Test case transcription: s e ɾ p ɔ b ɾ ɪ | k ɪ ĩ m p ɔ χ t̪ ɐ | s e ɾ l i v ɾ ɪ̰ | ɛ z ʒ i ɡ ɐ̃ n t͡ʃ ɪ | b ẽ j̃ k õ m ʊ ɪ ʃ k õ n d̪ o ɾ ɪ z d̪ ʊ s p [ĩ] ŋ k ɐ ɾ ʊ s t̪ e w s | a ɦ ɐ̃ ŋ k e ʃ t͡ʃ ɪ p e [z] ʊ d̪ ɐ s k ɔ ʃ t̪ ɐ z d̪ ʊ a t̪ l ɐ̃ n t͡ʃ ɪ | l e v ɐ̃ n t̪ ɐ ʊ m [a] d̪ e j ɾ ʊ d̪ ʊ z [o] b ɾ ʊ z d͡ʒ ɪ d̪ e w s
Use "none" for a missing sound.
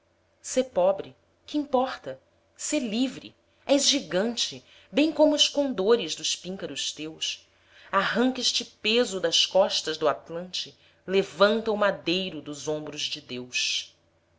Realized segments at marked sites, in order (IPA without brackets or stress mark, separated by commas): ĩ, z, a, õ